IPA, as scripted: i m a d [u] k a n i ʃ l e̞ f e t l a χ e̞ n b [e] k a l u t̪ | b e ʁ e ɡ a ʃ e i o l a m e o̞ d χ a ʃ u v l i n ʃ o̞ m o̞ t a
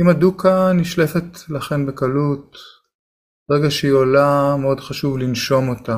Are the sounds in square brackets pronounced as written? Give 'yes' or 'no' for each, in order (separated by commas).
yes, yes